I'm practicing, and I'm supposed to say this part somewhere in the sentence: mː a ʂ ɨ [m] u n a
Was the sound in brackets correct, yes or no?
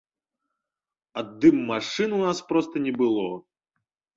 no